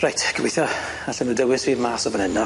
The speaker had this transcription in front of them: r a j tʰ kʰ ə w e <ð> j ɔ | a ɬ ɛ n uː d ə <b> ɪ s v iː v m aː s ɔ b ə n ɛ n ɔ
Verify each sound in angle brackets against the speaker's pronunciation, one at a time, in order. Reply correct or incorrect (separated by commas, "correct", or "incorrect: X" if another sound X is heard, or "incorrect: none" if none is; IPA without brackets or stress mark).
incorrect: θ, incorrect: w